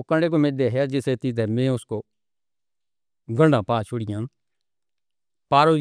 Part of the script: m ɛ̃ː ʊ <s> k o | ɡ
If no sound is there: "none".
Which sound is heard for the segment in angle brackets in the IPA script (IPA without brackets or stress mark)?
s